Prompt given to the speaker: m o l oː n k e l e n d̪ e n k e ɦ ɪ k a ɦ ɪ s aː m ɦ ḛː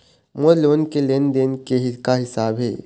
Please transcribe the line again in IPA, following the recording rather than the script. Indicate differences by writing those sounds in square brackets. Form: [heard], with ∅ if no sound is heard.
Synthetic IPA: m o l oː n k e l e n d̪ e n k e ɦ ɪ k a ɦ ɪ s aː [b] ɦ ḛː